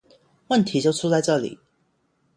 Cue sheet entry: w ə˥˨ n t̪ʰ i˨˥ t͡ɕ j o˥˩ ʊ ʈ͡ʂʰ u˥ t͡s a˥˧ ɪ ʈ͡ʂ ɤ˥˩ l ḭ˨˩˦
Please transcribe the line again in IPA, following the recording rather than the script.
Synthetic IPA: w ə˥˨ n t̪ʰ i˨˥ t͡ɕ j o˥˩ ʊ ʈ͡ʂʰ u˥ t͡s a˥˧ ɪ ʈ͡ʂ ɤ˥˩ l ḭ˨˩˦